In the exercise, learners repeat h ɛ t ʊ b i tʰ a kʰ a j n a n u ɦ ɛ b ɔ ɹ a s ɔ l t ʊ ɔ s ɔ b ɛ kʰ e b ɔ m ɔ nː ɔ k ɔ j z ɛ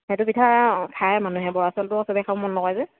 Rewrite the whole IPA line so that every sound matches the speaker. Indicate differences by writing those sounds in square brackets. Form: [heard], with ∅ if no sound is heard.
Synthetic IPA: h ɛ t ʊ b i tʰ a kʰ a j [m] a n u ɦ ɛ b ɔ ɹ a s ɔ l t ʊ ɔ s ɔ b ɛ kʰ [a] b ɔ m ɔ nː ɔ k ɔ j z ɛ